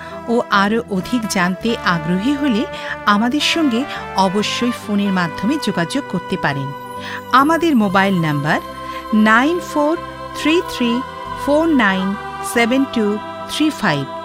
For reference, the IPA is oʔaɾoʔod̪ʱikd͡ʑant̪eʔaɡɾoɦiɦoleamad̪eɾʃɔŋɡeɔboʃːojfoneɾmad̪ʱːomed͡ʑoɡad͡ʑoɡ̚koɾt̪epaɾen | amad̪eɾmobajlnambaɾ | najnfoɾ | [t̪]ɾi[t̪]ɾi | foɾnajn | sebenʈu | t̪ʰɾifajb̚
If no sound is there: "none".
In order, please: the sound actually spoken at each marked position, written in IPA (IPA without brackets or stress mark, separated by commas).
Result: t̪ʰ, t̪ʰ